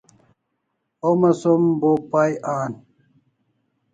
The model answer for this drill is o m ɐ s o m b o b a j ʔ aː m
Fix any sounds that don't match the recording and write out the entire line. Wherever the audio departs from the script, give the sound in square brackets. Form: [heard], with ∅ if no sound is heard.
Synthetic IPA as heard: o m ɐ s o m b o [p] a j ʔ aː [n]